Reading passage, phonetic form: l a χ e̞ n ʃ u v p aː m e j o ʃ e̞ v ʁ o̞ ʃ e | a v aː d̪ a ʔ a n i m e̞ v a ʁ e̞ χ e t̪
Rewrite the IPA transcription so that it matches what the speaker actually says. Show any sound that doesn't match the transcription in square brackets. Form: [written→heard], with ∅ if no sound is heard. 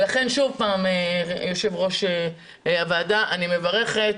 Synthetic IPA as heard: l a χ e̞ n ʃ u v p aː m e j o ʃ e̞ v ʁ o̞ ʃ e | a v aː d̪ a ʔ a n i m e̞ v a ʁ e̞ χ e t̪